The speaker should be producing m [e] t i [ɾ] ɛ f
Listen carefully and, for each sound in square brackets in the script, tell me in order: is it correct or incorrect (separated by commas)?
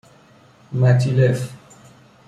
incorrect, incorrect